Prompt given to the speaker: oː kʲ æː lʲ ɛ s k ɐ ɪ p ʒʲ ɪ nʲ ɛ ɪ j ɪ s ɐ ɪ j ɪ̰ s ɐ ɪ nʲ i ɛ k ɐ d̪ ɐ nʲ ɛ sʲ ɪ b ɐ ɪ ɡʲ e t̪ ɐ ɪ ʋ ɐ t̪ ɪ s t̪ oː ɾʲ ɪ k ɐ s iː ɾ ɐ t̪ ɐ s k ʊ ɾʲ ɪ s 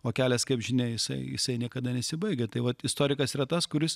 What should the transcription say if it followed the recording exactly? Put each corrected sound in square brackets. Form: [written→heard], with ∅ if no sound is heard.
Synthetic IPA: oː kʲ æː lʲ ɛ s k ɐ ɪ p ʒʲ ɪ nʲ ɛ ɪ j ɪ s ɐ ɪ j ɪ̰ s ɐ ɪ nʲ i ɛ k ɐ d̪ ɐ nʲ ɛ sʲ ɪ b ɐ ɪ ɡʲ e t̪ ɐ ɪ ʋ ɐ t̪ ɪ s t̪ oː ɾʲ ɪ k ɐ s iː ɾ ɐ t̪ ɐ s k ʊ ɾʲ ɪ s